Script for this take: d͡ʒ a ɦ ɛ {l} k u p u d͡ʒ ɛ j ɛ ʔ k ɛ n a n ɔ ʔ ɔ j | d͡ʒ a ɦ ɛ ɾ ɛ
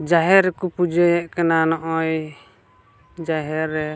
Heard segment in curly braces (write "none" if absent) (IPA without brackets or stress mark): ɾ